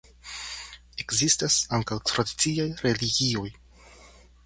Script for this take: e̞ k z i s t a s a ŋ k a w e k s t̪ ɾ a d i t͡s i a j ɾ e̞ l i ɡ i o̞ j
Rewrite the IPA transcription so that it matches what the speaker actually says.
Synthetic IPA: e̞ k z i s t a s a ŋ k a w e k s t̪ ɾ a d i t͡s i a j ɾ e̞ l i ɡ i o̞ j